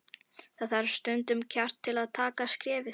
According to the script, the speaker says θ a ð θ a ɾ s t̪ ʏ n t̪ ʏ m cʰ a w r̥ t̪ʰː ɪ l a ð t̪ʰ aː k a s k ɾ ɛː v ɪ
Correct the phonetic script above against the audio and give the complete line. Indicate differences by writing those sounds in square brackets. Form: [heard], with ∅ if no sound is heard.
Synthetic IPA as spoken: θ a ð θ a ɾ s t̪ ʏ n t̪ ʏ m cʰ a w r̥ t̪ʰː ɪ l a ð t̪ʰ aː k a s k ɾ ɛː v ɪ